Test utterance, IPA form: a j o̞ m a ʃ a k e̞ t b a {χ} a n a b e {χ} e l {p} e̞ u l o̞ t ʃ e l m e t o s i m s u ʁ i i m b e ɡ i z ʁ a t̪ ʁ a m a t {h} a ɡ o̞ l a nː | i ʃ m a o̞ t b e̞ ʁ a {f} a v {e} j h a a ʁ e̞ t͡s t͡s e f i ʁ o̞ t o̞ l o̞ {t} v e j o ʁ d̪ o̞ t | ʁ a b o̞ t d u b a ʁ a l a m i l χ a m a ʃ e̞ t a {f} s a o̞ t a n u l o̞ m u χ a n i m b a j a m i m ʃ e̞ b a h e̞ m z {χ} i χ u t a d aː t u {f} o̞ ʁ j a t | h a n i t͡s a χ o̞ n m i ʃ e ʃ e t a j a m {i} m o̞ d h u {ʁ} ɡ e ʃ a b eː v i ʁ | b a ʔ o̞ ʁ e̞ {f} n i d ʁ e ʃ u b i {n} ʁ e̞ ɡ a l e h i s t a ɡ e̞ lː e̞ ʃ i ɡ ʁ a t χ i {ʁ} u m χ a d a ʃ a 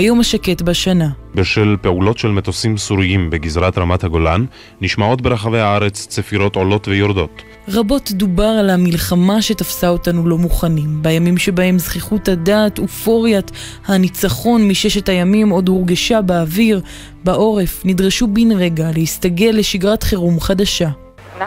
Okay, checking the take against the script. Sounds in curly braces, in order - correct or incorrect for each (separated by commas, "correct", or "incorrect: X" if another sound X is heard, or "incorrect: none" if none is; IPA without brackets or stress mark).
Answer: incorrect: ʃ, incorrect: ʃ, correct, correct, incorrect: χ, correct, correct, correct, correct, correct, correct, correct, correct, correct, correct